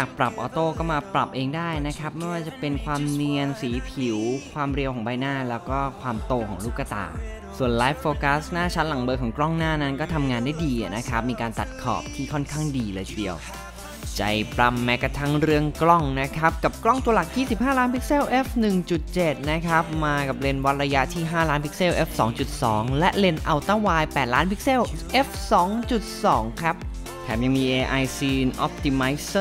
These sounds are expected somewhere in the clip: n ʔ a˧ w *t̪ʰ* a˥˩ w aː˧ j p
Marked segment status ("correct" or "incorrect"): incorrect